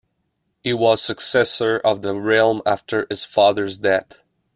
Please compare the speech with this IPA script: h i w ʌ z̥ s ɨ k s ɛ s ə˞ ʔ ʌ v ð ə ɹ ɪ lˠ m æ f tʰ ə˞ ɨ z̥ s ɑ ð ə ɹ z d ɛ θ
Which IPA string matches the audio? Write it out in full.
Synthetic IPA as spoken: h i w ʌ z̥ s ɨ k s ɛ s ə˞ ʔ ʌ v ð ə ɹ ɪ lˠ m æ f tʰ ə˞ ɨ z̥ f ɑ ð ə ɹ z d ɛ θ